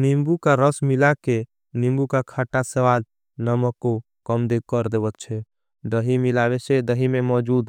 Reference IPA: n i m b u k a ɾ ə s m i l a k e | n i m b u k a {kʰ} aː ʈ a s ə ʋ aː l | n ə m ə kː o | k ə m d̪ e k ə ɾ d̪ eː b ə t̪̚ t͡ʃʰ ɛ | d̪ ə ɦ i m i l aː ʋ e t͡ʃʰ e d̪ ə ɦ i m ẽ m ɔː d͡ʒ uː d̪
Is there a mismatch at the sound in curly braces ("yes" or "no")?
no